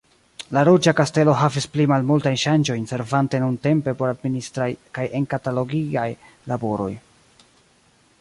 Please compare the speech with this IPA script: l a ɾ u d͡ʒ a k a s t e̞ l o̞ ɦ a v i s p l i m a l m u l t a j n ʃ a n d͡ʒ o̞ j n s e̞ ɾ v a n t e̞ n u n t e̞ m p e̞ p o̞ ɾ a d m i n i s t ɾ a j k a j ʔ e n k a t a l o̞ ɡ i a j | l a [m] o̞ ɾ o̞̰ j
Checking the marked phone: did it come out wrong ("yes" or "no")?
yes